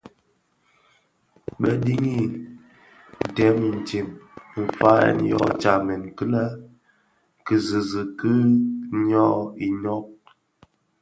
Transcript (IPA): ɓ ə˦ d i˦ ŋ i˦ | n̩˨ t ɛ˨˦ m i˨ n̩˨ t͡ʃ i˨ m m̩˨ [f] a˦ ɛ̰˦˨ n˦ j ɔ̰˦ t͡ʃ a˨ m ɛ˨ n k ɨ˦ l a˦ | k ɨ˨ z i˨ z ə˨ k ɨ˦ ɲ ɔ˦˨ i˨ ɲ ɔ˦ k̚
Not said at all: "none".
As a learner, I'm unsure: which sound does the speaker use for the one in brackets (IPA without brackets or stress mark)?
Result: f